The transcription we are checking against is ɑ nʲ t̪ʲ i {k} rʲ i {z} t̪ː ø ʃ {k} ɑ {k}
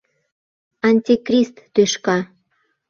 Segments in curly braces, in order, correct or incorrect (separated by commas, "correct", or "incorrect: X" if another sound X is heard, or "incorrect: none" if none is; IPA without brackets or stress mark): correct, incorrect: s, correct, incorrect: none